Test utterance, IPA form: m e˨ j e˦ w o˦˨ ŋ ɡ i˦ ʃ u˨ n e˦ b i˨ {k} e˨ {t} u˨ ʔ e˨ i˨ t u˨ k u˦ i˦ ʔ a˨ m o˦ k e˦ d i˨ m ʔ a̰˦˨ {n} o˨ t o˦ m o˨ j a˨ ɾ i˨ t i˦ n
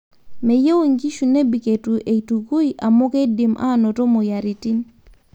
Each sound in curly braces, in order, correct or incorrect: correct, correct, correct

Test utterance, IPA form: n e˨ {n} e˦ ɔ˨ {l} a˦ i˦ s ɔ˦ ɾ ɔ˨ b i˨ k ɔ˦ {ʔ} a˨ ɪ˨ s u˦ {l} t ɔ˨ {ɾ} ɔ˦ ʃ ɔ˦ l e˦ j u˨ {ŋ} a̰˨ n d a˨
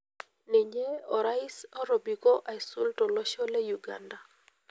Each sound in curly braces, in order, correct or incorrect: incorrect: ɲ, incorrect: ɾ, correct, correct, incorrect: l, incorrect: ɡ

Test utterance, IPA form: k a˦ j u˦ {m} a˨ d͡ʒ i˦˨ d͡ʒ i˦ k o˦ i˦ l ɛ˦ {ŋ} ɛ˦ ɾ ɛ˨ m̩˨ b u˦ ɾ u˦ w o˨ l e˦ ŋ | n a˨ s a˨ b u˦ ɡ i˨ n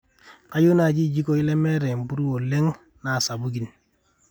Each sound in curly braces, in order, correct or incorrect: incorrect: n, incorrect: m

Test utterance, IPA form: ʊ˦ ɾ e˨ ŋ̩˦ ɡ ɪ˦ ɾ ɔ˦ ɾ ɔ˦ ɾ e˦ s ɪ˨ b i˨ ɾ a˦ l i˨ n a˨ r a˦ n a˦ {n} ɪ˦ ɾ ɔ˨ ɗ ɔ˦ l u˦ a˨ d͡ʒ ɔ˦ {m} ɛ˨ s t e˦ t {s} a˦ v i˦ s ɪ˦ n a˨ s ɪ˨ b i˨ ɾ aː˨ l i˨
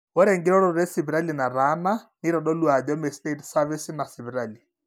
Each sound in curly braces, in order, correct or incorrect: correct, correct, correct

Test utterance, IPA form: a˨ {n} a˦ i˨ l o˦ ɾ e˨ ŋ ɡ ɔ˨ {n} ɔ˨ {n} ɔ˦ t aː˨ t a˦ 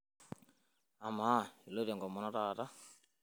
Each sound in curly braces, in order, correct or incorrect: incorrect: m, incorrect: m, correct

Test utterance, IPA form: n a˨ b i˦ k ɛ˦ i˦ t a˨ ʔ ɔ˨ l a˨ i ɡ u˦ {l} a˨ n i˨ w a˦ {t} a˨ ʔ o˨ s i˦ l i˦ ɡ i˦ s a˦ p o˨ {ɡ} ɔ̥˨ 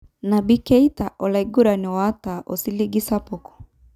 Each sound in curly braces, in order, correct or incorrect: incorrect: ɾ, correct, incorrect: k

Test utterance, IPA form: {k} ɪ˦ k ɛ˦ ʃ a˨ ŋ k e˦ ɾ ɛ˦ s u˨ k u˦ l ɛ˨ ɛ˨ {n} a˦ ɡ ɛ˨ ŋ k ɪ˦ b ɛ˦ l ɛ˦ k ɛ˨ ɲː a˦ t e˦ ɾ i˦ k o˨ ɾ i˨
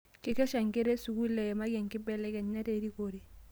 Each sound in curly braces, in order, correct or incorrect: correct, incorrect: m

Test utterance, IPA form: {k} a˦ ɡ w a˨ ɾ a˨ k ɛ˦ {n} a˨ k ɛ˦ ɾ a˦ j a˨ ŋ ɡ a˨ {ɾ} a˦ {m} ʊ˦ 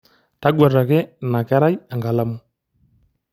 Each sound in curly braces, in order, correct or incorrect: incorrect: t, correct, incorrect: l, correct

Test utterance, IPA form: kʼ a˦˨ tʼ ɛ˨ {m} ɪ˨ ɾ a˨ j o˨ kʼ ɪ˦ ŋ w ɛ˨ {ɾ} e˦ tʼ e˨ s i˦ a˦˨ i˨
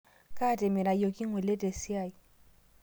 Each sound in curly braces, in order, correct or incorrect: correct, incorrect: l

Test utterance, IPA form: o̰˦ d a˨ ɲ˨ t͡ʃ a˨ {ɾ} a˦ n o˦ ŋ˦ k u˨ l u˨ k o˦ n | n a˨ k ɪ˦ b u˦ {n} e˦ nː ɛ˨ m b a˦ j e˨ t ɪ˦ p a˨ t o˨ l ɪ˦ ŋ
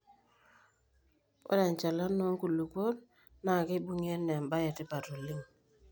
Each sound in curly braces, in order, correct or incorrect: incorrect: l, incorrect: ŋ

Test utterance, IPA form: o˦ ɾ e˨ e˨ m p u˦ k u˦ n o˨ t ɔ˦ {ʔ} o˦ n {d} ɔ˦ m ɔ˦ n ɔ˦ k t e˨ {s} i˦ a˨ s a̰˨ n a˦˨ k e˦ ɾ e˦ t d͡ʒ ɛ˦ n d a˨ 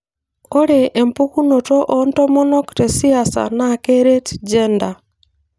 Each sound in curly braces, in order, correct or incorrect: correct, incorrect: t, correct

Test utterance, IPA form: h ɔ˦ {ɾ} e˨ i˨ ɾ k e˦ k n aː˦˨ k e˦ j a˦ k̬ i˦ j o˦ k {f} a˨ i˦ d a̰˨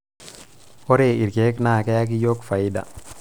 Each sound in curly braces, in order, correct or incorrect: correct, correct

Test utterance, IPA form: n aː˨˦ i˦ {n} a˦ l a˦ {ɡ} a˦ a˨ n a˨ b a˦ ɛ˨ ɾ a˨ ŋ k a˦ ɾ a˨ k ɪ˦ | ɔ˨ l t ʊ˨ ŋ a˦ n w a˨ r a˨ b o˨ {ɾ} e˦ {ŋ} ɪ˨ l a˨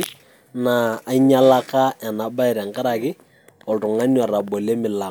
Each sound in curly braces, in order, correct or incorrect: incorrect: ɲ, incorrect: k, incorrect: l, incorrect: m

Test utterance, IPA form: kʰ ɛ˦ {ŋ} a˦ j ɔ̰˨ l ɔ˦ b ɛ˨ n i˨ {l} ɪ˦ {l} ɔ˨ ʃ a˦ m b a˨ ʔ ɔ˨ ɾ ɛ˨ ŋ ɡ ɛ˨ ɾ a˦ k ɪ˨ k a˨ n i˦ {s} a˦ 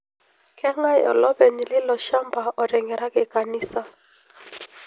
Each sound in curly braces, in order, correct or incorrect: correct, correct, correct, correct

